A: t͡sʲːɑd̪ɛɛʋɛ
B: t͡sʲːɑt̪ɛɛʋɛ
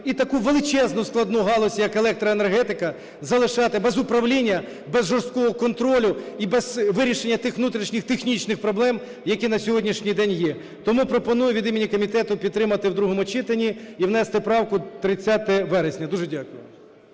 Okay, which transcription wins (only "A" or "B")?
B